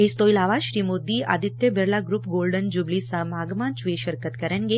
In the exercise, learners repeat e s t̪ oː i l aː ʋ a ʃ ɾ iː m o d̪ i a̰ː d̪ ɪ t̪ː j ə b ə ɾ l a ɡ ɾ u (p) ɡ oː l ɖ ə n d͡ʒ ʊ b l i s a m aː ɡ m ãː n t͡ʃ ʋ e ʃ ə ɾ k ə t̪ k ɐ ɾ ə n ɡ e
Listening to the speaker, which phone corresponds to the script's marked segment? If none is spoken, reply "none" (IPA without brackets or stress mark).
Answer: p